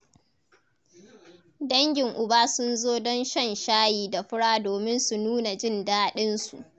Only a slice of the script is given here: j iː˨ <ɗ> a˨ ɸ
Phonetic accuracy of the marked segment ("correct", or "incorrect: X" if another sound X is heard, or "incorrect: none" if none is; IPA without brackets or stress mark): incorrect: d